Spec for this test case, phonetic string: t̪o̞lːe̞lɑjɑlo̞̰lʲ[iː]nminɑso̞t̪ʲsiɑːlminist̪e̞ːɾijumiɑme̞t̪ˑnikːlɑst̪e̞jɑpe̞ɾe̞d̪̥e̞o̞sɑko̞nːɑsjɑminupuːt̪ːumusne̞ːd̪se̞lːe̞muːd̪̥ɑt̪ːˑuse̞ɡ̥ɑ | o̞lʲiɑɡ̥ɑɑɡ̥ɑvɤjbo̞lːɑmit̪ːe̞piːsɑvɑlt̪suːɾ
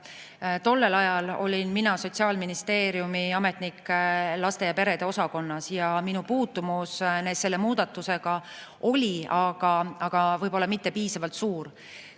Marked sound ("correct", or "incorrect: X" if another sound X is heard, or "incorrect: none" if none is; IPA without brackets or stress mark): incorrect: i